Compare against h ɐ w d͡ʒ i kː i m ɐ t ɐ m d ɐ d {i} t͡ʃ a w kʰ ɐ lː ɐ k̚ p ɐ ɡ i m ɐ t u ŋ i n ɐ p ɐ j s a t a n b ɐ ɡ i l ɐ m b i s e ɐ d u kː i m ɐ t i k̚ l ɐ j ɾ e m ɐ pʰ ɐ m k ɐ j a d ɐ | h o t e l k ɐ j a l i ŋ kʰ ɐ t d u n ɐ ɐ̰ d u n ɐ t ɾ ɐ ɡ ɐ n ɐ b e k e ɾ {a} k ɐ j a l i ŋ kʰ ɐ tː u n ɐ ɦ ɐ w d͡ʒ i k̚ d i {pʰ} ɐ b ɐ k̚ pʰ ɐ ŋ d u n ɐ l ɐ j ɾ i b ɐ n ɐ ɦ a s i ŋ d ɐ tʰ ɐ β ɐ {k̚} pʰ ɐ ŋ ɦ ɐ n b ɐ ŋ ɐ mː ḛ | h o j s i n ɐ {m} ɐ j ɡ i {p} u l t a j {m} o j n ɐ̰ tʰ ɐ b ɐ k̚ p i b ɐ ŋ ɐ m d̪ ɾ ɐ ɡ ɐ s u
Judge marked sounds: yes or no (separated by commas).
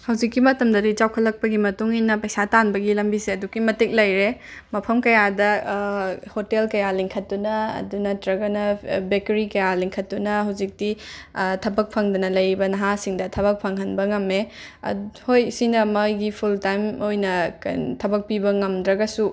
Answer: yes, no, no, yes, yes, no, yes